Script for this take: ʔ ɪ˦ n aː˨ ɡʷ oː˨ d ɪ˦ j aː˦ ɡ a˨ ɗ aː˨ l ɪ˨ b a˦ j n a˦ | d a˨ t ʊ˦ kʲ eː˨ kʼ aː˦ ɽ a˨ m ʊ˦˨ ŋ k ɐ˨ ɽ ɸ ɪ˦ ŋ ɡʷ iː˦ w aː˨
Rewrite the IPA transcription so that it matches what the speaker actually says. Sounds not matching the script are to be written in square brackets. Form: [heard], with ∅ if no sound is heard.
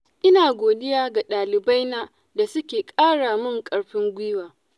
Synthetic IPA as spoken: ʔ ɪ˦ n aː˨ ɡʷ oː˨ d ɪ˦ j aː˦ ɡ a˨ ɗ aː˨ l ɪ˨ b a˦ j n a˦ | d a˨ [s] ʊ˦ kʲ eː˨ kʼ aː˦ ɽ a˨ m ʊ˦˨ ŋ [kʼ] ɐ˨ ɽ ɸ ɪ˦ ŋ ɡʷ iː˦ w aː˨